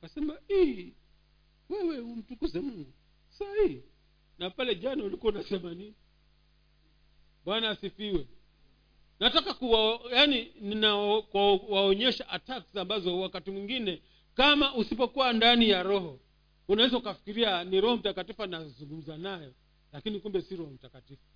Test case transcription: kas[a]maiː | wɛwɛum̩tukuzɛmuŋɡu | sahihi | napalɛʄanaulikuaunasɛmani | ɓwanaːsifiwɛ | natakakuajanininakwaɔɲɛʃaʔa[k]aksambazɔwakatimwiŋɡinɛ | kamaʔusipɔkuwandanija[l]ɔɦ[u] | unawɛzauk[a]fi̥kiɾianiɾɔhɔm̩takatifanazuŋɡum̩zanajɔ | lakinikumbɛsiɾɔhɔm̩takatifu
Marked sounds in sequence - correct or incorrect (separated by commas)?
incorrect, incorrect, incorrect, incorrect, correct